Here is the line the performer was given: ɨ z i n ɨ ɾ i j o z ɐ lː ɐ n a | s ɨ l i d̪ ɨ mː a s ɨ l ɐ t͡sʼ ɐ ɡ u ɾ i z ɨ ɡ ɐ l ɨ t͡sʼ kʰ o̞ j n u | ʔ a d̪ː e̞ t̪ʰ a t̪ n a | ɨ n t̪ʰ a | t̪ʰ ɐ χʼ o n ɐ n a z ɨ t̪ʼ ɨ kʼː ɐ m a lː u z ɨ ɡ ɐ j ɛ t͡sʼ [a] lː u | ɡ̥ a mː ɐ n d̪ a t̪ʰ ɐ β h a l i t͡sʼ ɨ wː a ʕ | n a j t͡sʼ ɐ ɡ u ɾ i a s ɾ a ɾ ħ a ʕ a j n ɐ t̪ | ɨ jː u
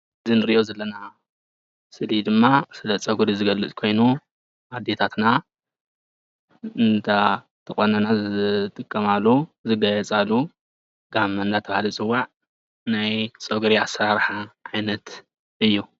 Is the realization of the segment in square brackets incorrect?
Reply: no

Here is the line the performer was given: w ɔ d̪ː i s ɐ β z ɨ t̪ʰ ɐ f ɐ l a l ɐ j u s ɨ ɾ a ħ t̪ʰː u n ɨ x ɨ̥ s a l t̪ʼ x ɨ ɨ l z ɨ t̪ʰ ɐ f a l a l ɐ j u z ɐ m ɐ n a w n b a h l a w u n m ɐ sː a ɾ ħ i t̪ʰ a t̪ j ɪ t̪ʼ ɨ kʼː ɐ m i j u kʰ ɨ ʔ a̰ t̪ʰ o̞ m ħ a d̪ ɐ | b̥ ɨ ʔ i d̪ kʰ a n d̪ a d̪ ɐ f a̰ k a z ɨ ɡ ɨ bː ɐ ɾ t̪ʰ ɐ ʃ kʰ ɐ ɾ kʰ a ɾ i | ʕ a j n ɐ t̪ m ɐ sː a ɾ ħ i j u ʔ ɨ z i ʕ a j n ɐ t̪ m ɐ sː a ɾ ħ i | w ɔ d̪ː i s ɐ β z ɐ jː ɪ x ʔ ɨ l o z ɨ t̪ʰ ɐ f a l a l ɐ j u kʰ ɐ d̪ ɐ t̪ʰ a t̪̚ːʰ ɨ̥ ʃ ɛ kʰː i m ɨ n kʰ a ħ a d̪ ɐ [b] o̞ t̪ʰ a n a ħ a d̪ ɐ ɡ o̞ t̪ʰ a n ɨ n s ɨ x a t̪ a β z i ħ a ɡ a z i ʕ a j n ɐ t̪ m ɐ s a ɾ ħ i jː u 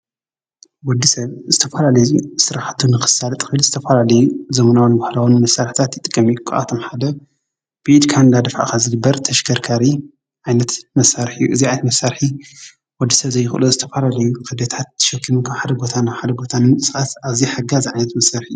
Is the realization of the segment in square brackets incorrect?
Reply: yes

